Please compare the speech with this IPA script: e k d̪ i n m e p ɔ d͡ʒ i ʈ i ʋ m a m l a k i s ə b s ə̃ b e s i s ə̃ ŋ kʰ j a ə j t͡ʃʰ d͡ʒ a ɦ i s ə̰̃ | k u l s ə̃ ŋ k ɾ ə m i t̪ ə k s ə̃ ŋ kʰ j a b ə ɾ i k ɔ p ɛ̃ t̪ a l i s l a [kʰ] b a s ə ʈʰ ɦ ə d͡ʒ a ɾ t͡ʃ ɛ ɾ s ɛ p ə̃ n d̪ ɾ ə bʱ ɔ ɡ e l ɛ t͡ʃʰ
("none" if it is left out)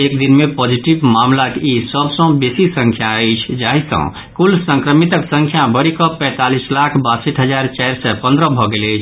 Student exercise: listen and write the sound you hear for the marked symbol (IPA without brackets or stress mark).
kʰ